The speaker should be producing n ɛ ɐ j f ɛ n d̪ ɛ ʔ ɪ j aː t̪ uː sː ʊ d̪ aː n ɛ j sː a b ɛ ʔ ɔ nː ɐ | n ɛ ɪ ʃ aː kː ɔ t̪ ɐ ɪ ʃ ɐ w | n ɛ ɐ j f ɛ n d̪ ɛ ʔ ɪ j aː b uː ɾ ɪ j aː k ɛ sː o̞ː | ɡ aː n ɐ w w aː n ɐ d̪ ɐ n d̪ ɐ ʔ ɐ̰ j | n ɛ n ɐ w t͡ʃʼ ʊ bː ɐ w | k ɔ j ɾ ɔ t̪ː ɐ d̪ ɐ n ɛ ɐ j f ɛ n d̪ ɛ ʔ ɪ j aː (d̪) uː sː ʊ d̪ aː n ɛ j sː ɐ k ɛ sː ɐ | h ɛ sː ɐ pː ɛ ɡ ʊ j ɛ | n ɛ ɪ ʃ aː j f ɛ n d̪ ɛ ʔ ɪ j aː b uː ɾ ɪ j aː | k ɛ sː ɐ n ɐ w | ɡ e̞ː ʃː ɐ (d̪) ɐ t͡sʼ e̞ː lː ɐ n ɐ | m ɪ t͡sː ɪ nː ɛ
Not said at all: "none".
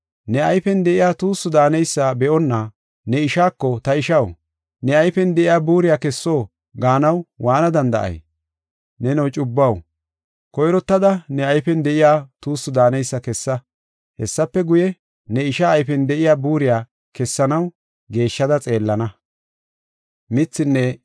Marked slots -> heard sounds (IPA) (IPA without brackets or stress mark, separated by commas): t̪, d̪